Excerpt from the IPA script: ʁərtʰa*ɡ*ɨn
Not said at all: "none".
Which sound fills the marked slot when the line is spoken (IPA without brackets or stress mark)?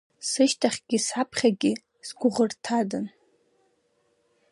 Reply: d